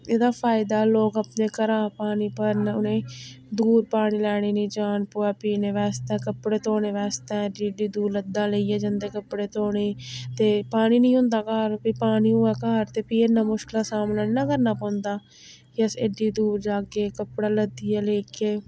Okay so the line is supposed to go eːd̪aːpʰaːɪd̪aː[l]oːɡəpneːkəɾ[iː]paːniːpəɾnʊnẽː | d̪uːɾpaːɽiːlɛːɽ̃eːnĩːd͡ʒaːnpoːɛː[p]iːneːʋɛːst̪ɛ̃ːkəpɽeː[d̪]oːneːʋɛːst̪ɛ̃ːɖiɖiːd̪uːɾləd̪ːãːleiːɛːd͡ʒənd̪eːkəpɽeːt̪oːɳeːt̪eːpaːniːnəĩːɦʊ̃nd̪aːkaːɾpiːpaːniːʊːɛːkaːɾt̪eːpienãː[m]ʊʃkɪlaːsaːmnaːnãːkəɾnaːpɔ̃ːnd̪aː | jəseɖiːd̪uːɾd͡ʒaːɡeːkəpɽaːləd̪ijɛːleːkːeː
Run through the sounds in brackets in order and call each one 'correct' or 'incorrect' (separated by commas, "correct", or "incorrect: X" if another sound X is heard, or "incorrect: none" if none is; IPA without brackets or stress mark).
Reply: correct, incorrect: aː, correct, incorrect: t̪, correct